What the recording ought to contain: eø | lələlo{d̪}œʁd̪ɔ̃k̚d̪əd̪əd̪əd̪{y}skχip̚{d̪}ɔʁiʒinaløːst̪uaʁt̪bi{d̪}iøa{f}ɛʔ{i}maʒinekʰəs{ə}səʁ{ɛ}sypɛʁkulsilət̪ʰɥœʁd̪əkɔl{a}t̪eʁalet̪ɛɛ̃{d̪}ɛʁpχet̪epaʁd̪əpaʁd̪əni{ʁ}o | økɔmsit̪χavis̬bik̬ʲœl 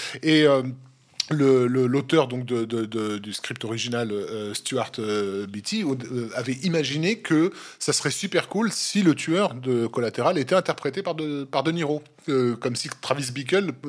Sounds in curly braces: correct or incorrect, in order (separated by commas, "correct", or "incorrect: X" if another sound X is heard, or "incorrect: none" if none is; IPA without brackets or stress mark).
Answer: incorrect: t̪, correct, incorrect: t̪, incorrect: t̪, incorrect: v, correct, incorrect: a, correct, correct, incorrect: t̪, correct